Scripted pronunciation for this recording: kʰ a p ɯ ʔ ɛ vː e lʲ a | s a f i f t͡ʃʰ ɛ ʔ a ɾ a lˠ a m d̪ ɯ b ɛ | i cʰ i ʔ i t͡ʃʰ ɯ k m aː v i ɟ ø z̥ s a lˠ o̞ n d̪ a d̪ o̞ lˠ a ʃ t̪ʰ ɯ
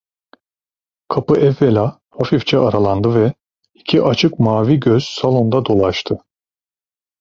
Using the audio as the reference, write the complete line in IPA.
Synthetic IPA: kʰ a p ɯ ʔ ɛ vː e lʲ a | h a f i f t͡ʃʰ ɛ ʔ a ɾ a lˠ a n d̪ ɯ v ɛ | i cʰ i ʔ a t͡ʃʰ ɯ k m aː v i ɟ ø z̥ s a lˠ o̞ n d̪ a d̪ o̞ lˠ a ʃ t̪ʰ ɯ